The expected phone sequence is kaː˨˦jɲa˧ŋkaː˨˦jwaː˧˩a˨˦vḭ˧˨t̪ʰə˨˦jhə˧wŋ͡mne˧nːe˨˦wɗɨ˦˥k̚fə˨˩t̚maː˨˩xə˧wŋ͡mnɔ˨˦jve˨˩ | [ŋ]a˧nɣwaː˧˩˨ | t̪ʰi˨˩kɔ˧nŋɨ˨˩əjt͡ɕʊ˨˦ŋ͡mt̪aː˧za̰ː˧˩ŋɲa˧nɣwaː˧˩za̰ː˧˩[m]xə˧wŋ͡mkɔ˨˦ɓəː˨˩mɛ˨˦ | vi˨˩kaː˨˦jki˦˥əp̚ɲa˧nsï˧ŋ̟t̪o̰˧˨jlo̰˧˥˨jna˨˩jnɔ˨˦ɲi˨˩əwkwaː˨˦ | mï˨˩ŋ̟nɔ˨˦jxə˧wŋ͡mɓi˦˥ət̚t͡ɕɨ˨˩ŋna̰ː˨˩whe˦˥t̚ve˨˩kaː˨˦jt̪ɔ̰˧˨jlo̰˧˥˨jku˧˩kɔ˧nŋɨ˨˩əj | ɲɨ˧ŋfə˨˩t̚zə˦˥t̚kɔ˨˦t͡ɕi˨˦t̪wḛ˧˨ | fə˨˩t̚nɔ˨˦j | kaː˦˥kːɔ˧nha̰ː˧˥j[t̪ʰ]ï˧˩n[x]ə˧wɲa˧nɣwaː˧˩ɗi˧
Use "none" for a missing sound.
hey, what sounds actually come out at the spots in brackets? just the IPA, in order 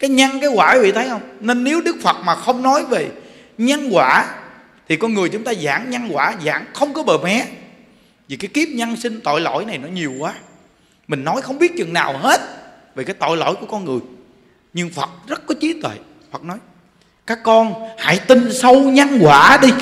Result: ɲ, ŋ, t̪, s

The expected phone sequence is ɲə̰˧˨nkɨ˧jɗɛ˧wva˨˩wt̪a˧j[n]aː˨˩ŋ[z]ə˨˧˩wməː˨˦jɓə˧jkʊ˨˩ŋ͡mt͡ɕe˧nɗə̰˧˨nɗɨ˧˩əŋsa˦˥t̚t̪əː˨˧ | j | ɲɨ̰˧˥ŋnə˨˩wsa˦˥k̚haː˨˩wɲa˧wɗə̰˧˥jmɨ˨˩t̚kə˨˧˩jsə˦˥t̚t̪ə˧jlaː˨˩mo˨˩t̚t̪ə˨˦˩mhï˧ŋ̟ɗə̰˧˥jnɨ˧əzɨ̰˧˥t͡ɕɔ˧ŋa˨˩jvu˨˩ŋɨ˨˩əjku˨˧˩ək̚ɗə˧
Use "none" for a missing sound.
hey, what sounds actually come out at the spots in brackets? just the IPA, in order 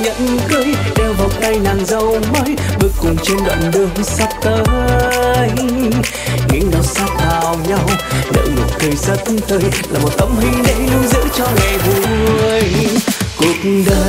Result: n, z

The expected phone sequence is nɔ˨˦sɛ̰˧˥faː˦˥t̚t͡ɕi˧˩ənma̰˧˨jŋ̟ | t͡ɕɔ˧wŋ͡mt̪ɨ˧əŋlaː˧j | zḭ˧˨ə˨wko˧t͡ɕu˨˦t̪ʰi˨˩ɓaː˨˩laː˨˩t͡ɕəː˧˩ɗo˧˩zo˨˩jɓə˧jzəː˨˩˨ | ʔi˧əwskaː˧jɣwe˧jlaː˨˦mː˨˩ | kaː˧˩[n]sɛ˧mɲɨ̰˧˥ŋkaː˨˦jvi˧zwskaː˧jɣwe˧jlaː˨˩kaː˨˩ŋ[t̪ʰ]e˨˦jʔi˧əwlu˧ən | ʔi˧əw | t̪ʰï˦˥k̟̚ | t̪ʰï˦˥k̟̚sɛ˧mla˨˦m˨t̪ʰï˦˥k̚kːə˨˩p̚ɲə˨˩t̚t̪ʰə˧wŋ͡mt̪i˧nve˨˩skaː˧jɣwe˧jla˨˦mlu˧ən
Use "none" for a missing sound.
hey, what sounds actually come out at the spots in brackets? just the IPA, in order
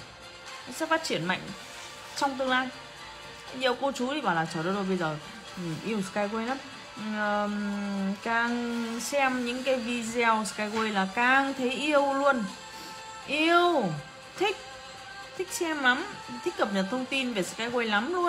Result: ŋ, t̪ʰ

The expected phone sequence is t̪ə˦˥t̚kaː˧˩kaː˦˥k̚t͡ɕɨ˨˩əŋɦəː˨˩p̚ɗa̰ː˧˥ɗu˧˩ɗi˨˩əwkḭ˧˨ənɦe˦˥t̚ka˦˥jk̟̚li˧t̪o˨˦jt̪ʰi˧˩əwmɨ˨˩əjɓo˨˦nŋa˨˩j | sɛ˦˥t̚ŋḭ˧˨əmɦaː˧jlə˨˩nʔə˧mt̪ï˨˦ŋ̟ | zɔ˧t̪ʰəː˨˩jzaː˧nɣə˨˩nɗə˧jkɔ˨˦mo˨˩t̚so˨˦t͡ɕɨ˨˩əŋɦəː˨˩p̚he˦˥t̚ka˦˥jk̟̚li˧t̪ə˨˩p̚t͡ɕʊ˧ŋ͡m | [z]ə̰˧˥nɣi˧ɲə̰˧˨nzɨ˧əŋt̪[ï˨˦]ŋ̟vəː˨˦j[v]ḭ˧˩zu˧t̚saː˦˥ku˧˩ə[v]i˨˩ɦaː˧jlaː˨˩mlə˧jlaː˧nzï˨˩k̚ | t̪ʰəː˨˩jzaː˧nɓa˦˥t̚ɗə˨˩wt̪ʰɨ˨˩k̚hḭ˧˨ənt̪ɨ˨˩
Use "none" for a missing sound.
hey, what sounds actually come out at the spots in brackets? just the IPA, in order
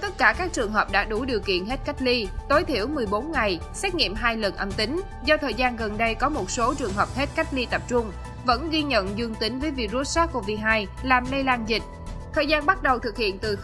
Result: v, ï˨˦, v, v

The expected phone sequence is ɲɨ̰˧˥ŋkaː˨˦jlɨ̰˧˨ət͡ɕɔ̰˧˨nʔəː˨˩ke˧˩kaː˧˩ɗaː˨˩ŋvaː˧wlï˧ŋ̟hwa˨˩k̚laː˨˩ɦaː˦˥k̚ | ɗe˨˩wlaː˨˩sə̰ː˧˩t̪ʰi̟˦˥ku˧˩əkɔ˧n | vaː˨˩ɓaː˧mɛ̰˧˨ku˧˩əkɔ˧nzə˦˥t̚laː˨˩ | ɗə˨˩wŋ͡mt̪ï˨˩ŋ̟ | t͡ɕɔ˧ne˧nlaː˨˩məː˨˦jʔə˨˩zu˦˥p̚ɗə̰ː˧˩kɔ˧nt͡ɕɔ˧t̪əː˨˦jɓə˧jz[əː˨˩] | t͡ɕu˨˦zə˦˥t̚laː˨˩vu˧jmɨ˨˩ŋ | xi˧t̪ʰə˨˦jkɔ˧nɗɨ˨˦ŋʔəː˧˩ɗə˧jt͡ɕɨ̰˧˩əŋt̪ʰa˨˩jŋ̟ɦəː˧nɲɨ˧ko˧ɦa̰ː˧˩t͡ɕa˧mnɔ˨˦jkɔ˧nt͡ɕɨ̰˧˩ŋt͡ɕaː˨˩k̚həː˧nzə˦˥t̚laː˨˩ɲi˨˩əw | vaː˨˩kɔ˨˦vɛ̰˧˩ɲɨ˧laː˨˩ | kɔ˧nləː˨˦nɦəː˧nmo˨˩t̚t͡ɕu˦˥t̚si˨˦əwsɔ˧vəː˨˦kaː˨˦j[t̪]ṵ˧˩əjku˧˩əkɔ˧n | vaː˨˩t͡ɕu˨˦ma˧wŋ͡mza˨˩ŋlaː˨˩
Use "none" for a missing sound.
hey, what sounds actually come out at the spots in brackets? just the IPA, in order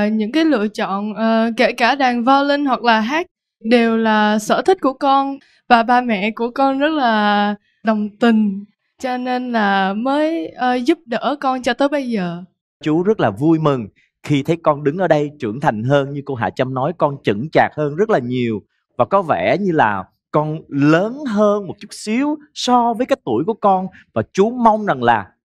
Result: əː˨˩, t̪

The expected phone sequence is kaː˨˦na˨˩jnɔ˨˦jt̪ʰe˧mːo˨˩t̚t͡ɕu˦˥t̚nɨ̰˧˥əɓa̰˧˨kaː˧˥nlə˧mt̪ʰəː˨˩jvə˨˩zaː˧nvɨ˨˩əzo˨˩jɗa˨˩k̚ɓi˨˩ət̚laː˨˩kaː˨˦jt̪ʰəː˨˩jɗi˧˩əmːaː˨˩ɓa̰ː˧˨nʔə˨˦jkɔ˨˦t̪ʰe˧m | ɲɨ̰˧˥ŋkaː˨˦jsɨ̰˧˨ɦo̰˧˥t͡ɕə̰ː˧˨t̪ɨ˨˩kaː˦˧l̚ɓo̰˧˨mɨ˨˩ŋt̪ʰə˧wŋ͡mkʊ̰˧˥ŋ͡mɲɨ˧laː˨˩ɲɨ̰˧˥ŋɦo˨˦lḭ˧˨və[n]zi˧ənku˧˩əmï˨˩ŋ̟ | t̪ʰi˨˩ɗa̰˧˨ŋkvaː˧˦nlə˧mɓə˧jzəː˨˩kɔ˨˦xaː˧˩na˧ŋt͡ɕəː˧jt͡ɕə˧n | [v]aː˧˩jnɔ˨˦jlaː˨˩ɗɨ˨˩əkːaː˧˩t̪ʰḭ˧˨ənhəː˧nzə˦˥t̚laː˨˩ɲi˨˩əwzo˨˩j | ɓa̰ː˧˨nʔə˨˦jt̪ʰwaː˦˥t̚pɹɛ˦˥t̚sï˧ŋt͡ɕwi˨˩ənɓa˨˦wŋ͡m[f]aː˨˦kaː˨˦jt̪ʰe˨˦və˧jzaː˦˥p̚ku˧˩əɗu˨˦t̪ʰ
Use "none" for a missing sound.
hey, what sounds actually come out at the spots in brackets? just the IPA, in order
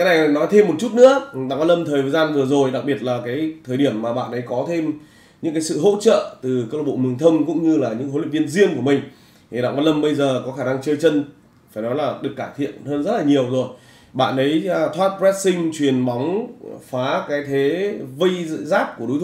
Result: n, f, f

